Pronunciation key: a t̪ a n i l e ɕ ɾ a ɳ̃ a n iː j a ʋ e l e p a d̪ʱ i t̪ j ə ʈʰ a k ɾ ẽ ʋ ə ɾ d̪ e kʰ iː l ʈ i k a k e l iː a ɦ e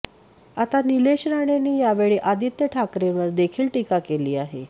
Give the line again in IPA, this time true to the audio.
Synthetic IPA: a t̪ a n i l e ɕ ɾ a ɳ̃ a n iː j a ʋ e ɭ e ʔ a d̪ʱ i t̪ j ə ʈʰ a k ɾ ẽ ʋ ə ɾ d̪ e kʰ iː l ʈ i k a k e l iː a ɦ e